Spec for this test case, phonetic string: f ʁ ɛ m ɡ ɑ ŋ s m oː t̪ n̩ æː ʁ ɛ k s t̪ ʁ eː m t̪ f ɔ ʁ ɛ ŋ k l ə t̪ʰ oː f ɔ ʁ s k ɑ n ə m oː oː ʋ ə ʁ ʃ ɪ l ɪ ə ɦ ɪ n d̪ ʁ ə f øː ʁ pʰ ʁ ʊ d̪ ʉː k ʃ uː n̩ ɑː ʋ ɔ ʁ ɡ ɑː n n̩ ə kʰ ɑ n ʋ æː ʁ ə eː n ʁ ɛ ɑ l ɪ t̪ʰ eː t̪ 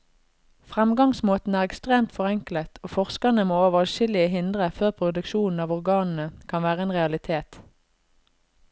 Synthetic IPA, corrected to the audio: f ʁ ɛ m ɡ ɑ ŋ s m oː t̪ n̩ æː ʁ ɛ k s t̪ ʁ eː m t̪ f ɔ ʁ ɛ ŋ k l ə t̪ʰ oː f ɔ ʁ s k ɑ n ə m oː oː ʋ ə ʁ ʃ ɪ l ɪ ə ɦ ɪ n d̪ ʁ ə f øː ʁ pʰ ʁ ʊ d̪ ʉ k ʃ uː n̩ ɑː ʋ ɔ ʁ ɡ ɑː n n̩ ə kʰ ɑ n ʋ æː ʁ ə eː n ʁ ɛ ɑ l ɪ t̪ʰ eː t̪

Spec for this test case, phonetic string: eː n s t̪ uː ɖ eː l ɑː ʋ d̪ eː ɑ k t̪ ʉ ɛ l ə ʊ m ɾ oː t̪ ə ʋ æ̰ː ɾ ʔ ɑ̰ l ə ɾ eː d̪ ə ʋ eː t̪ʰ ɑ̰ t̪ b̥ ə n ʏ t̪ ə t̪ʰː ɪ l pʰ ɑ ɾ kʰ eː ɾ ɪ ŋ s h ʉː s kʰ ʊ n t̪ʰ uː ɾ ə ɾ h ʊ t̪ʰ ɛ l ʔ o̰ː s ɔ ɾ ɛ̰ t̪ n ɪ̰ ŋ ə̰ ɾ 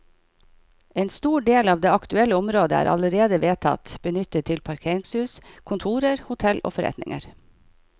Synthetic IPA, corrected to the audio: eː n s t̪ uː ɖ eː l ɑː ʋ d̪ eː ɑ k t̪ ʉ ɛ l ə ʊ m ɾ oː d̪ ə æ̰ː ɾ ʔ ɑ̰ l ə ɾ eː d̪ ə ʋ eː t̪ʰ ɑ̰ t̪ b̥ ə n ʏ t̪ ə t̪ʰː ɪ l pʰ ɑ ɾ kʰ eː ɾ ɪ ŋ s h ʉː s kʰ ʊ n t̪ʰ uː ɾ ə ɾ h ʊ t̪ʰ ɛ l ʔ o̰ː f ɔ ɾ ɛ̰ t̪ n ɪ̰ ŋ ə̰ ɾ

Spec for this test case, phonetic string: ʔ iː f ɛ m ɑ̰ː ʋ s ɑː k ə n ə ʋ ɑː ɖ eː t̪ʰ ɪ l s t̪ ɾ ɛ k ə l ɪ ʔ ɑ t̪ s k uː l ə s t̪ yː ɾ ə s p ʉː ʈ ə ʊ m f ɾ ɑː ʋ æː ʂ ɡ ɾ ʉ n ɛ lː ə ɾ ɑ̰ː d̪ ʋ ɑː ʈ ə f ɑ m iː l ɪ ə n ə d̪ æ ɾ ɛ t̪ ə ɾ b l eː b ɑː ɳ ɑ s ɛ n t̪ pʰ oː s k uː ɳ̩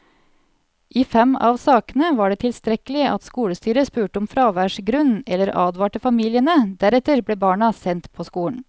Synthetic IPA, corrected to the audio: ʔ iː f ɛ m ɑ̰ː ʋ s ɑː k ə n ə ʋ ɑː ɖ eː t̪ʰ ɪ l s t̪ ɾ ɛ k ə l ɪ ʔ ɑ t̪ s k uː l ə s t̪ yː ɾ ə s p ʉː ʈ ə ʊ m f ɾ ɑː ʋ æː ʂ ɡ ɾ ʉ n ɛ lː ə ɾ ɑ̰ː d̪ ʋ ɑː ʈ ə f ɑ m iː l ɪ ə n ə d̪ æ ɾ ɛ t̪ ə ɾ b l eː b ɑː ɳ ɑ s ɛ n t̪ pʰ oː s k uː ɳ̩

